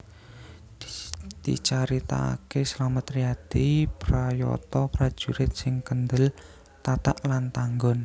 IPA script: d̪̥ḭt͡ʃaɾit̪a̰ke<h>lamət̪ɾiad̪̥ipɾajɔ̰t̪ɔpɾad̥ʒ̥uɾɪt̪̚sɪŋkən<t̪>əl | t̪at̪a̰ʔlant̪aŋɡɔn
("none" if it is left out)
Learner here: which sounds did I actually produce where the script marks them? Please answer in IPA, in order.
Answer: s, d̪

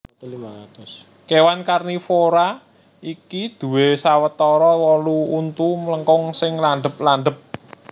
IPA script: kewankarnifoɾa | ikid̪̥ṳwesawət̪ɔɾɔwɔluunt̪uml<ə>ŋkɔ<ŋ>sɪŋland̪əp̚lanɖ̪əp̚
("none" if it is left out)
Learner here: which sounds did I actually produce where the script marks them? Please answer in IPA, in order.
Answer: ə, ŋ

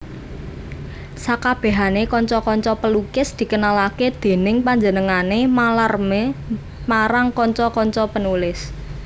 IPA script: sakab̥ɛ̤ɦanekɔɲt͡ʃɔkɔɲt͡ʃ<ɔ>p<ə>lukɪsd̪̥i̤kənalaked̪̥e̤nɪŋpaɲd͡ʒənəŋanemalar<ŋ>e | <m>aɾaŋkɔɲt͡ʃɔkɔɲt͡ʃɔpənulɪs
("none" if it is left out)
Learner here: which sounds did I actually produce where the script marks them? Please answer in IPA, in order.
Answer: ɔ, ə, m, m

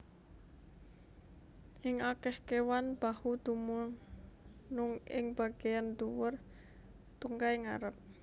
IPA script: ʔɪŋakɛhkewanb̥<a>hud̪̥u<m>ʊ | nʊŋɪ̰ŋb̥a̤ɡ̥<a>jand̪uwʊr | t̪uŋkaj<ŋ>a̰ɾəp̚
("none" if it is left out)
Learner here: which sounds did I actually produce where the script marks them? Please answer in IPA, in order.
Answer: a, m, e, ŋ

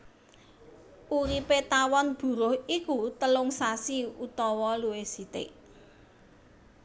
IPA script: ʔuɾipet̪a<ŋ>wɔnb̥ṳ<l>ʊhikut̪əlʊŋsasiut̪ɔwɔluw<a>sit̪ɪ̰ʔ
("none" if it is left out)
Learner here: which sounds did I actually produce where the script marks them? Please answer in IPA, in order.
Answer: none, ɾ, e

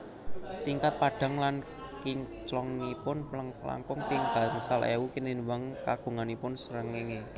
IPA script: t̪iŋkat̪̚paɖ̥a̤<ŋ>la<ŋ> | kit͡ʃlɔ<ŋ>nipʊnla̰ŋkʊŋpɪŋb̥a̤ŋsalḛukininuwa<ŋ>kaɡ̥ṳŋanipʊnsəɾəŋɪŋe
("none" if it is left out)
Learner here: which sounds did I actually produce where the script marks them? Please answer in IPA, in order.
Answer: ŋ, n, ŋ, ŋ

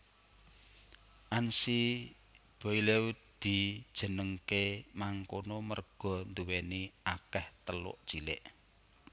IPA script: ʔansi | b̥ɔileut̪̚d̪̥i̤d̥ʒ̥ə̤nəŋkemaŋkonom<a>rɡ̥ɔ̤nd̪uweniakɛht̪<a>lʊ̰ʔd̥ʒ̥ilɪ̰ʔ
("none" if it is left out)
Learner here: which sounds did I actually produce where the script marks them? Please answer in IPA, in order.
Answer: ə, ə

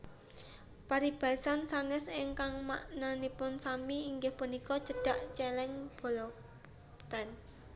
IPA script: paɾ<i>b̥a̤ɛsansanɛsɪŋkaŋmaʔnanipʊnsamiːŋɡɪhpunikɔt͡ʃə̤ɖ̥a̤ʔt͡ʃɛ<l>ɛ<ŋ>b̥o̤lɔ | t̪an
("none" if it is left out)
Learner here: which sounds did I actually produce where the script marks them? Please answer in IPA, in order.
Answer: i, l, ŋ

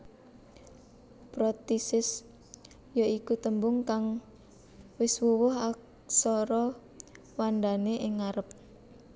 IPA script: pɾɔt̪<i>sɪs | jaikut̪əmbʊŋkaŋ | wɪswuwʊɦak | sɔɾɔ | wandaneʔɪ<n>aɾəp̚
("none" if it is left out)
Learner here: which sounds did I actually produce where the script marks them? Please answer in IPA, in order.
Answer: i, ŋ

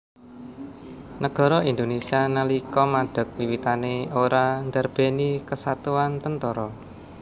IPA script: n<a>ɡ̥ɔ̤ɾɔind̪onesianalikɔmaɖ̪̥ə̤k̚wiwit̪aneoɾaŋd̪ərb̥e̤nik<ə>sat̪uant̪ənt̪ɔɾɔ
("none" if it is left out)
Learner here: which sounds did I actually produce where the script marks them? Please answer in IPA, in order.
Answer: ə, ə

